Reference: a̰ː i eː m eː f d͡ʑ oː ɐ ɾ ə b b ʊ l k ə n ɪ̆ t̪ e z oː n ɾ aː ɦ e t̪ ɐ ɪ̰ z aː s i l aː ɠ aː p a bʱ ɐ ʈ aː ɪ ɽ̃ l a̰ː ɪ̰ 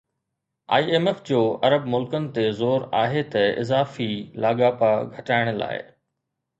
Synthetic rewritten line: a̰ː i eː m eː f d͡ʑ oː ɐ ɾ ə b m ʊ l k ə n ɪ̆ t̪ e z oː ɾ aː ɦ e t̪ ɐ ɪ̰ z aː f i l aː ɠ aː p a ɡʱ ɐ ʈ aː ɪ ɽ̃ l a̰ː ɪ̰